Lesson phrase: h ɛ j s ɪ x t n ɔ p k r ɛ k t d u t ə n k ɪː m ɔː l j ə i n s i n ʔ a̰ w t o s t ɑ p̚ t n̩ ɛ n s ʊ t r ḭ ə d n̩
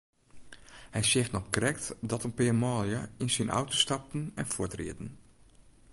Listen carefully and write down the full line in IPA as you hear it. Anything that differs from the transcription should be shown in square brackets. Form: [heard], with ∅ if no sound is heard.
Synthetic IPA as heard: h ɛ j s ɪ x t n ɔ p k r ɛ k t d [ɔ] t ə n [p] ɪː m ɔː l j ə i n s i n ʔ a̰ w t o s t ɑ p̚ t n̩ ɛ n [f] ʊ t r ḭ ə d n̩